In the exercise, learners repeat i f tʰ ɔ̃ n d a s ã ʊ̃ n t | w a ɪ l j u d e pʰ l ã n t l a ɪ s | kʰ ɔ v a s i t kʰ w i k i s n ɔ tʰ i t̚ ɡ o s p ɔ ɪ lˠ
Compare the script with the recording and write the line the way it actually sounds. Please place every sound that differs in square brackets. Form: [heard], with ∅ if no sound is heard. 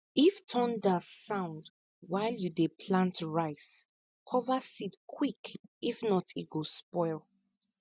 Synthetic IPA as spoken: i f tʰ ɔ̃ n d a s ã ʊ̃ n [d] | w a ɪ l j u d e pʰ l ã n t [ɹ] a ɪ s | kʰ ɔ v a s i t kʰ w i k i [f] n ɔ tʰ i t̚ ɡ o s p ɔ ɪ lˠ